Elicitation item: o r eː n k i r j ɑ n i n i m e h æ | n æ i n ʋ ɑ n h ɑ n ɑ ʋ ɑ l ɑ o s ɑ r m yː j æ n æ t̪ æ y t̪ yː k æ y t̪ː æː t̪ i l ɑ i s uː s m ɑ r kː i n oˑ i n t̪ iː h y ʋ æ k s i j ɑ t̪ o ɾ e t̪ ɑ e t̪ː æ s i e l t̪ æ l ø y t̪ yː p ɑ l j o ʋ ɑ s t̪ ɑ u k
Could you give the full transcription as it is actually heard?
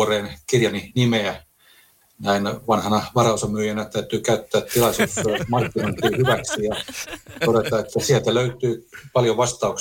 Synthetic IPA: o r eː n k i r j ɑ n i n i m e æ | n æ i n ʋ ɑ n h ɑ n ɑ ʋ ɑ r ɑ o s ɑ m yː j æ n æ t̪ æ y t̪ yː k æ y t̪ː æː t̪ i l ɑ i s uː s m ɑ r kː i n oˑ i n t̪ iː h y ʋ æ k s i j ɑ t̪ o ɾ e t̪ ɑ e t̪ː æ s i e l t̪ æ l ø y t̪ yː p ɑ l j o ʋ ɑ s t̪ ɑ u k